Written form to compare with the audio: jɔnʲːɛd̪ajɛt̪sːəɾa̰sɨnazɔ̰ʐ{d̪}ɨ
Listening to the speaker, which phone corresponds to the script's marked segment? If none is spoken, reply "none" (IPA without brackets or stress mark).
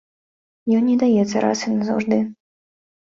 d̪